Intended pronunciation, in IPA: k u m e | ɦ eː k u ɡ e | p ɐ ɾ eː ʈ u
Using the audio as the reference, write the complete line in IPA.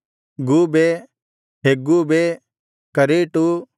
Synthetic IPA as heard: ɡ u b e | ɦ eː ɡ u b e | k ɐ ɾ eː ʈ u